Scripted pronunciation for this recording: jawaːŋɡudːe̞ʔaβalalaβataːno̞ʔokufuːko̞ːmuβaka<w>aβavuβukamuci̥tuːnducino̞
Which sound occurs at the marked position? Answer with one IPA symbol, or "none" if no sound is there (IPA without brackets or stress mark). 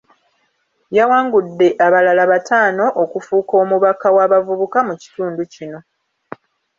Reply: w